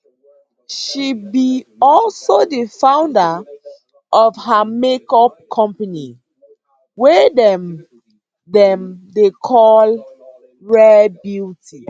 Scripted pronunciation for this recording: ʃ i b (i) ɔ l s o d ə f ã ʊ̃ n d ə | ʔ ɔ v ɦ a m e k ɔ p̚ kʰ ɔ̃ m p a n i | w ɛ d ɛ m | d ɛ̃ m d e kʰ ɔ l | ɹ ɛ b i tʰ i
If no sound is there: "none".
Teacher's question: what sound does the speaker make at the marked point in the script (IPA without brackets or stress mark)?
i